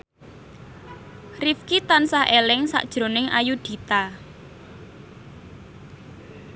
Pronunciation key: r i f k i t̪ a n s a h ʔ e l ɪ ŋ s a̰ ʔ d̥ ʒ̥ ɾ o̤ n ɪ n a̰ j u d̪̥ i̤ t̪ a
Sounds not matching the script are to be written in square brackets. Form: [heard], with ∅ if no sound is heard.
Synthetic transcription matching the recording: r i f k i t̪ a n s a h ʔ e l ɪ ŋ s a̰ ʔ d̥ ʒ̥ ɾ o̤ n ɪ [ŋ] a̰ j u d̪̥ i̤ t̪ a